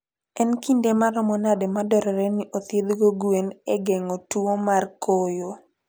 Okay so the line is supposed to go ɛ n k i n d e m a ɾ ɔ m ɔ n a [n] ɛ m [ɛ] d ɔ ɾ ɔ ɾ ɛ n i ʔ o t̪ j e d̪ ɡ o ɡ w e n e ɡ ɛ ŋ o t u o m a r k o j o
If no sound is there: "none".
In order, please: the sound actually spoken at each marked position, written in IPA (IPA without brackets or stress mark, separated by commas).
d, a